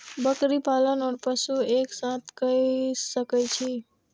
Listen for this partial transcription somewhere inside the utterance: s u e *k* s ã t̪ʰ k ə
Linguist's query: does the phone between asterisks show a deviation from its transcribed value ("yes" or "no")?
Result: no